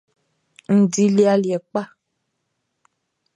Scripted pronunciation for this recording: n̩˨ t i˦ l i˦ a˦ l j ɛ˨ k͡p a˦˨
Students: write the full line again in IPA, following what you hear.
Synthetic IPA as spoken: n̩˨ d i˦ l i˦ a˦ l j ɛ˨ k͡p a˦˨